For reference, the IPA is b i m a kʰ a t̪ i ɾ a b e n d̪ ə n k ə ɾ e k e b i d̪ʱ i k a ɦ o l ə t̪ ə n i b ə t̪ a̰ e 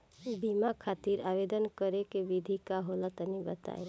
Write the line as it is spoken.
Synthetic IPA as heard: b i m a kʰ a t̪ i ɾ a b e d̪ ə n k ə ɾ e k e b i d̪ʱ i k a ɦ o l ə t̪ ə n i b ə t̪ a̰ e

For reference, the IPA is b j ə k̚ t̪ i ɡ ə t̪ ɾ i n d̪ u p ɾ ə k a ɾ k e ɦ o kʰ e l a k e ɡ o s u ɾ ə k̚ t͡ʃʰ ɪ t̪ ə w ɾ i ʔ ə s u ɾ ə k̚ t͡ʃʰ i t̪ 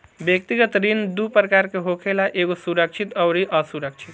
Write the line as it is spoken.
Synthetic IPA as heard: b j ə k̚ t̪ i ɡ ə t̪ ɾ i n d̪ u p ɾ ə k a ɾ k e ɦ o kʰ e l a ʔ e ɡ o s u ɾ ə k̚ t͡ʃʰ i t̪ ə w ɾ i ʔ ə s u ɾ ə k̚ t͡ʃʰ i t̪

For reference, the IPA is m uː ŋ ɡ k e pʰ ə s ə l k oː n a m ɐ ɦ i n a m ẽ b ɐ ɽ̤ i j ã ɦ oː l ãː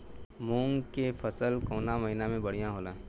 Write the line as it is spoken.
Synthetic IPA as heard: m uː ŋ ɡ k e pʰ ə s ə l k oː n a m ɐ ɦ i n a m ẽ b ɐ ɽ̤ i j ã ɦ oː l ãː

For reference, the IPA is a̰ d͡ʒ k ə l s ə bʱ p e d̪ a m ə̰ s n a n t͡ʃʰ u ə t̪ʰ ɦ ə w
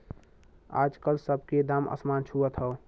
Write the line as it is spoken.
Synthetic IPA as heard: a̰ d͡ʒ k ə l s ə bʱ k e d̪ a m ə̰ s m a n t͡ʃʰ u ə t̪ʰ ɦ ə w

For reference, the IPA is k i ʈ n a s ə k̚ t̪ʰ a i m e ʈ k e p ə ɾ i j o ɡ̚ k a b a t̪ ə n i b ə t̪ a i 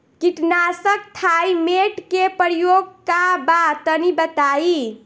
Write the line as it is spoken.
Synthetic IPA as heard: k i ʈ n a s ə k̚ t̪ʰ a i m e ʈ k e p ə ɾ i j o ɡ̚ k a b a t̪ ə n i b ə t̪ a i

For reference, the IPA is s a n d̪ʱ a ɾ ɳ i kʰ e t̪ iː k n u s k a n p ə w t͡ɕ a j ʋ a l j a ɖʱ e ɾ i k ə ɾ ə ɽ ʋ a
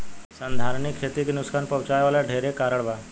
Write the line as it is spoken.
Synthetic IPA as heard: s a n d̪ʱ a ɾ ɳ i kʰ e t̪ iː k n u s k a n p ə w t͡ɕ a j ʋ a l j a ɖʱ e ɾ e k a ɾ ə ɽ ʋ a

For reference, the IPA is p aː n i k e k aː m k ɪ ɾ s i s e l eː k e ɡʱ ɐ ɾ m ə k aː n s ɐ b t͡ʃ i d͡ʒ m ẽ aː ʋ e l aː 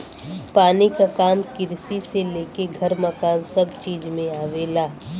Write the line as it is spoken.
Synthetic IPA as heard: p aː n i k a k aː m k ɪ ɾ s i s e l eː k e ɡʱ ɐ ɾ m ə k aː n s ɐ b t͡ʃ iː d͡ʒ m ẽ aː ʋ e l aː

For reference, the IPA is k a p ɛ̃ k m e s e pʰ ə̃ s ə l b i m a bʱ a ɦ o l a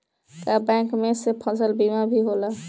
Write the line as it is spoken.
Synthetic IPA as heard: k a b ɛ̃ k m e s e pʰ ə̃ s ə l b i m a bʱ i ɦ o l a

